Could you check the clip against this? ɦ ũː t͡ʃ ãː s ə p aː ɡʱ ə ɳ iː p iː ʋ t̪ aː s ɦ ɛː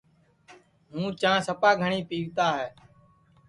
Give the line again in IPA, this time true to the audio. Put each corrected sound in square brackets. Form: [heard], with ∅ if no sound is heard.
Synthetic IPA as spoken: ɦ ũː t͡ʃ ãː s ə p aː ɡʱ ə ɳ iː p iː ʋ t̪ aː [∅] ɦ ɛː